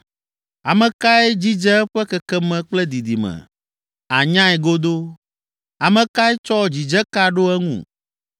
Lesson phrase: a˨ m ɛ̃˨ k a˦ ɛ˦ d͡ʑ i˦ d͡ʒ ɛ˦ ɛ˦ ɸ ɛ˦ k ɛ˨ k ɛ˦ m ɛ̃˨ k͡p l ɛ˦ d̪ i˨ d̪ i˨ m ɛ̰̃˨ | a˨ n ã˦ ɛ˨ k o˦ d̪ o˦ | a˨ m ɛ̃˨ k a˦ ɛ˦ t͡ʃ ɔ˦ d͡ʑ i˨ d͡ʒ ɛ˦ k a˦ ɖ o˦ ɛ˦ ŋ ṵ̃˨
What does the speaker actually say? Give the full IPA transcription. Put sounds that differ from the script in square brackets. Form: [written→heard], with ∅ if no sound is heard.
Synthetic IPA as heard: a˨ m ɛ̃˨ k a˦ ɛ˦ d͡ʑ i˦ d͡ʒ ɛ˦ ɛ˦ ɸ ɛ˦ k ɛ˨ k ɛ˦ m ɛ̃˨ k͡p l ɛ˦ d̪ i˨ d̪ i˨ m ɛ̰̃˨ | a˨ [n→ɲ] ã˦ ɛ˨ [k→ɡ] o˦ d̪ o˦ | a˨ m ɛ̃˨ k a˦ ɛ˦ t͡ʃ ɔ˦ d͡ʑ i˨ d͡ʒ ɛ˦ k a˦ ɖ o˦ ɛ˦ ŋ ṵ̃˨